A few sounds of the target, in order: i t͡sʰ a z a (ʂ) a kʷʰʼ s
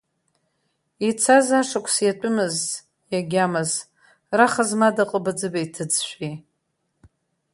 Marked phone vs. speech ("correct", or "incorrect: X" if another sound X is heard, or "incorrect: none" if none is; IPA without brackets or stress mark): correct